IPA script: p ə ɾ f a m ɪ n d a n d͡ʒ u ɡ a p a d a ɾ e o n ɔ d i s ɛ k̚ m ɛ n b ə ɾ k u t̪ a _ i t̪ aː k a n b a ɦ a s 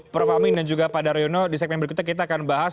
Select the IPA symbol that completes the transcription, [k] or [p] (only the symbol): k